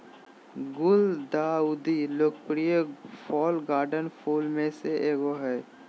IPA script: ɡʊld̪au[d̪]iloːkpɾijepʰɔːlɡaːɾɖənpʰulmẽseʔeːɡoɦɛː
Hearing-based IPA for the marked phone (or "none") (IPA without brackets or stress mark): d̪